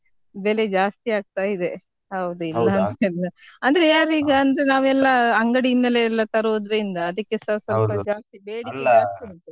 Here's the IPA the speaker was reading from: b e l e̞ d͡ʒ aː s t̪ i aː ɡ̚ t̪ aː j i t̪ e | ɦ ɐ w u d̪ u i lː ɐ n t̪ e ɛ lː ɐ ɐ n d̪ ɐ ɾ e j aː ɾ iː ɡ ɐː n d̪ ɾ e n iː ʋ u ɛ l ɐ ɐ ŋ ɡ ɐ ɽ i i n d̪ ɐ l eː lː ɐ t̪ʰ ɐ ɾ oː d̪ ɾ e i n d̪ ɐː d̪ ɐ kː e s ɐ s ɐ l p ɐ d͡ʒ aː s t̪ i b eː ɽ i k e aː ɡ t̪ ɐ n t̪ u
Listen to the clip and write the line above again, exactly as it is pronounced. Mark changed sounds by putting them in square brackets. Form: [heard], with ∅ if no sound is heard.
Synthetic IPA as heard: b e l e̞ d͡ʒ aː s t̪ i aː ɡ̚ t̪ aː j i [d̪] e | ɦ ɐ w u d̪ u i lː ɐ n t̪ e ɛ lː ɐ ɐ n d̪ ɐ ɾ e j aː ɾ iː ɡ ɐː n d̪ ɾ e n [aː] ʋ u ɛ [lː] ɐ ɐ ŋ ɡ ɐ ɽ i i n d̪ ɐ l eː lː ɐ [t̪] ɐ ɾ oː d̪ ɾ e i n d̪ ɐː d̪ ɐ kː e s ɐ s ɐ l p ɐ d͡ʒ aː s t̪ i b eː ɽ i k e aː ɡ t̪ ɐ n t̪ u